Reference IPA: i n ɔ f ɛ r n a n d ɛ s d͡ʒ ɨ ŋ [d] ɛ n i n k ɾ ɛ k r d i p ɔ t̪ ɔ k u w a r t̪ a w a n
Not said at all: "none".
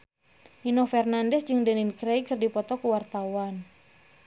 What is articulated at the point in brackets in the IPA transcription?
d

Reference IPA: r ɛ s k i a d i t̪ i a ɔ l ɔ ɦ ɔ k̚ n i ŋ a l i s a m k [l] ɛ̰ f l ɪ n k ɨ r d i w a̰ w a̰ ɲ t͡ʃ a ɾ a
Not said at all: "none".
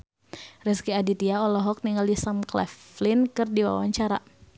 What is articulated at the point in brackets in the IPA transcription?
l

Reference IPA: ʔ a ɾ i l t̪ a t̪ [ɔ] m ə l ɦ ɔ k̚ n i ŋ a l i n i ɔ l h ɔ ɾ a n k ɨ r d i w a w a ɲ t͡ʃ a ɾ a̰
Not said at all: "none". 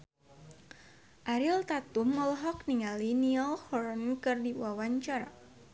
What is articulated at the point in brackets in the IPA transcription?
u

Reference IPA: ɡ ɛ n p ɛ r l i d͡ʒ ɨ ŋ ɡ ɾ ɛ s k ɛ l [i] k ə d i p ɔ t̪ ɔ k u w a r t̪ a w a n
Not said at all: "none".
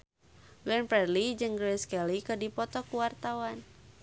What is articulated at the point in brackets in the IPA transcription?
i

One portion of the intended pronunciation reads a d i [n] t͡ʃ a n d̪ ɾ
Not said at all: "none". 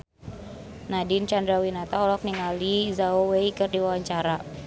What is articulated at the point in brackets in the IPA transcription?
n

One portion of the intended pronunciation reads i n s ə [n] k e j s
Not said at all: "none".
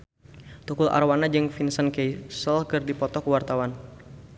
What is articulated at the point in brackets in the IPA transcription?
n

